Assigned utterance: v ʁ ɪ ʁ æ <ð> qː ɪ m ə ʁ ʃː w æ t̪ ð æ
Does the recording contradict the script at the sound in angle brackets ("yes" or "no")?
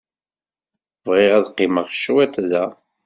no